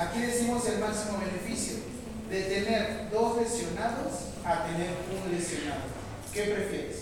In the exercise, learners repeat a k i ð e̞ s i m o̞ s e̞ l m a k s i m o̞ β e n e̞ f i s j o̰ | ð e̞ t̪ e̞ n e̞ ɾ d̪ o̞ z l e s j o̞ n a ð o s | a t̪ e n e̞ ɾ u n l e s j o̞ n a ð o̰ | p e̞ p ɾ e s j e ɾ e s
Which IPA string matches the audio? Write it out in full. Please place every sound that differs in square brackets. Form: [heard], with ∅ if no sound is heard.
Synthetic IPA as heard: a k i ð e̞ s i m o̞ s e̞ l m a k s i m o̞ β e n e̞ f i s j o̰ | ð e̞ t̪ e̞ n e̞ ɾ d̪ o̞ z l e s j o̞ n a ð o s | a t̪ e n e̞ ɾ u n l e s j o̞ n a ð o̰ | [k] e̞ p ɾ e [f] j e ɾ e s